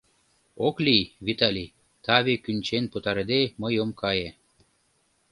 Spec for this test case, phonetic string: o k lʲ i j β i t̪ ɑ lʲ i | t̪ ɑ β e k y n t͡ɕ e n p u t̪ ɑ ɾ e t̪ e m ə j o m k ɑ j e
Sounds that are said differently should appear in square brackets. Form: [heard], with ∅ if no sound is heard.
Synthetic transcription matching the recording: o k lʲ i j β i t̪ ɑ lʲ i | t̪ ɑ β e k y n t͡ɕ e n p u t̪ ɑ ɾ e [d̪] e m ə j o m k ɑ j e